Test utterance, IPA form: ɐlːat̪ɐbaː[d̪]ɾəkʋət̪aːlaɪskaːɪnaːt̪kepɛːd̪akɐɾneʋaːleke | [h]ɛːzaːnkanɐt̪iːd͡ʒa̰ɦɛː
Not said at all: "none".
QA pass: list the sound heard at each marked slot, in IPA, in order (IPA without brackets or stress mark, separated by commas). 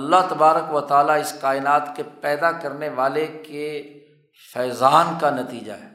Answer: none, f